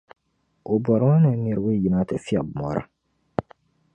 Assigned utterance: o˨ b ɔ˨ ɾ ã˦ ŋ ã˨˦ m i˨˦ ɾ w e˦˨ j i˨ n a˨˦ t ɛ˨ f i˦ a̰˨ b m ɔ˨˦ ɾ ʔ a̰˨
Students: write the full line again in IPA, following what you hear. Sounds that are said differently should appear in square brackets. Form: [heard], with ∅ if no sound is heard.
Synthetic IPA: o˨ b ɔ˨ ɾ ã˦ [n] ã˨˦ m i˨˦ ɾ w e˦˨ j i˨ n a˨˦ t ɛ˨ f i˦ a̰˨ b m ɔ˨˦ ɾ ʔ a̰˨